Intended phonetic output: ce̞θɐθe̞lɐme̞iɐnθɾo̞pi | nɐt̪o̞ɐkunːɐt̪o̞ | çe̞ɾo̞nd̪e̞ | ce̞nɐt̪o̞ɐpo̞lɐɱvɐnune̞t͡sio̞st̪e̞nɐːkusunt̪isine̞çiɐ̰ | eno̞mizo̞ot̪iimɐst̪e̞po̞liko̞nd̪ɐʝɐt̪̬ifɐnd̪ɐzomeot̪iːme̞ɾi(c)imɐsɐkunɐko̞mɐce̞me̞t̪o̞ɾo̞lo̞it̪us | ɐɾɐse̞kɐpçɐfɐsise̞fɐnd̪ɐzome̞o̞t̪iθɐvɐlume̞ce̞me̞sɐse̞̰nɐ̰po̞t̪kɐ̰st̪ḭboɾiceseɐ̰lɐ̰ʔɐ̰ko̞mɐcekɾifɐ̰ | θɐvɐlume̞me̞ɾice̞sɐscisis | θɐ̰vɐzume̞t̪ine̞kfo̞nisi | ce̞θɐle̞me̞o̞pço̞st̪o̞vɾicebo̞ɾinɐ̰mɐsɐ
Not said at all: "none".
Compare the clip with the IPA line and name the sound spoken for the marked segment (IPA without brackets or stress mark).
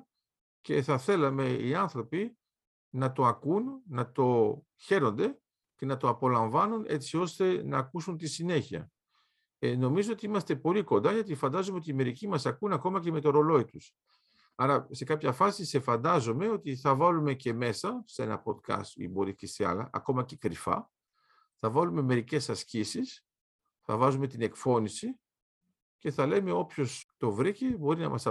c